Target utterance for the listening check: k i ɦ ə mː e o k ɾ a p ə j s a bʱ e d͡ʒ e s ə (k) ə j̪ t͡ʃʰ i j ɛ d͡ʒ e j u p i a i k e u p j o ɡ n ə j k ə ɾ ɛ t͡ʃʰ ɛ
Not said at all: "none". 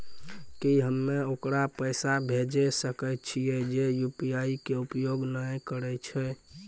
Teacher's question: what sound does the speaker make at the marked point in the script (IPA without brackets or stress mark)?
k